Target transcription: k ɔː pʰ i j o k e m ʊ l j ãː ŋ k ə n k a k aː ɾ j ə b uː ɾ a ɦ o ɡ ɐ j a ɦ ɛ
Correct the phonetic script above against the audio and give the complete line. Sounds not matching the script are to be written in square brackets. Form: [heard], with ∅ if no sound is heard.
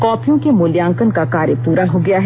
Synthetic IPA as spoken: k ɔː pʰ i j [õ] k e m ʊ l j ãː ŋ k ə n k a k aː ɾ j ə [p] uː ɾ a ɦ o ɡ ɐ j a ɦ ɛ

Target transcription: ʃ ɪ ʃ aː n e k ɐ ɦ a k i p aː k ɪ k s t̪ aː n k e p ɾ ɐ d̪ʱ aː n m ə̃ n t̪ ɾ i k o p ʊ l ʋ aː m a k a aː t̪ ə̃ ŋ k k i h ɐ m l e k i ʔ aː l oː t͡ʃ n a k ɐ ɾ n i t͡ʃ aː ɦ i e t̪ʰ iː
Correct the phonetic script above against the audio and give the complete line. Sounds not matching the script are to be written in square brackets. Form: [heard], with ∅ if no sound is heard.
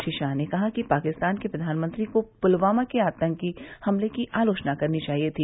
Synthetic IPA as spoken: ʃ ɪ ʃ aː n e k ɐ ɦ a k i p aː k ɪ [∅] s t̪ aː n k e p ɾ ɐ d̪ʱ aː n m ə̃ n t̪ ɾ i k o p ʊ l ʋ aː m a k [e] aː t̪ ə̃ ŋ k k i h ɐ m l e k i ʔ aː l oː t͡ʃ n a k ɐ ɾ n i t͡ʃ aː ɦ i e t̪ʰ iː

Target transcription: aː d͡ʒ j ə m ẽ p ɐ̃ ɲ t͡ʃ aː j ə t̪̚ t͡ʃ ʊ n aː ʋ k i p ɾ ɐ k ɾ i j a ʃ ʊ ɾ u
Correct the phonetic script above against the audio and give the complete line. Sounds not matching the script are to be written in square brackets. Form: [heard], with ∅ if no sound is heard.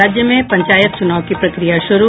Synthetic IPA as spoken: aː d͡ʒ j ə m ẽ p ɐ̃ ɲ t͡ʃ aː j ə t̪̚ t͡ʃ ʊ n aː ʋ k i p ɾ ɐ k ɾ i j a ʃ ʊ ɾ u

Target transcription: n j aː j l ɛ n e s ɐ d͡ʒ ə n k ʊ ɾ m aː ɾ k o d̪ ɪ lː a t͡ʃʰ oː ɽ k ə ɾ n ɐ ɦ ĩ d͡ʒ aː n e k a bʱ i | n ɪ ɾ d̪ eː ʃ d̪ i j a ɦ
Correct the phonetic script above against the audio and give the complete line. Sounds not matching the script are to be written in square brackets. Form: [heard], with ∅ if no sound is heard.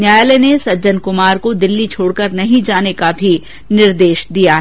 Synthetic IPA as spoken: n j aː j l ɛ n e s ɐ d͡ʒ ə n k ʊ [∅] m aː ɾ k o d̪ ɪ lː [i] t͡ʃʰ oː ɽ k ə ɾ n ɐ ɦ ĩ d͡ʒ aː n e k a bʱ i | n ɪ ɾ d̪ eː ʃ d̪ i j a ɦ

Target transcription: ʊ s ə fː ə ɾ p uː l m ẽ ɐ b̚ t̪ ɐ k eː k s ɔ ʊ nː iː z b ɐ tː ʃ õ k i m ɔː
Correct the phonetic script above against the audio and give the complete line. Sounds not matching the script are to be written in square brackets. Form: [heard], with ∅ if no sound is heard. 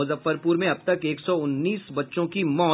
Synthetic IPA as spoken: ʊ [z] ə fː ə ɾ p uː [ɾ] m ẽ ɐ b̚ t̪ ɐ k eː k s ɔ ʊ nː iː [s] b ɐ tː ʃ õ k i m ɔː

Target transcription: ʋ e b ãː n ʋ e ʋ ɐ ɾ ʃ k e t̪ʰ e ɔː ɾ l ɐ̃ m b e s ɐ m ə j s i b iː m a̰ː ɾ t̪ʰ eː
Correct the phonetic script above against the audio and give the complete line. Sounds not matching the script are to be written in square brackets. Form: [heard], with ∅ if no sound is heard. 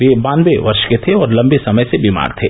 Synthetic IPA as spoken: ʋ e b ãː n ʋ e ʋ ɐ ɾ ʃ k e t̪ʰ e ɔː ɾ l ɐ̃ m b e s ɐ m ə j s [e] b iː m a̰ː ɾ t̪ʰ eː

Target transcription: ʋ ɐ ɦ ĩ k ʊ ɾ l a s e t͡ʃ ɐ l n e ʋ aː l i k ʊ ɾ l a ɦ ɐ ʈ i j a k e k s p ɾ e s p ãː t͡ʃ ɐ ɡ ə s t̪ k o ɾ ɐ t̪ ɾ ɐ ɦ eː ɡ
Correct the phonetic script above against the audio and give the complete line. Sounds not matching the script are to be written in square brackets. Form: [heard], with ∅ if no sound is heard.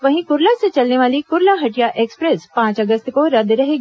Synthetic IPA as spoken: ʋ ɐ ɦ ĩ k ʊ ɾ l a s e t͡ʃ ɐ l n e ʋ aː l i k ʊ ɾ l a ɦ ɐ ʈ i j a [ʔ] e k s p ɾ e s p ãː t͡ʃ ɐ ɡ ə s t̪ k o ɾ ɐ [d̪] ɾ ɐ ɦ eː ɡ

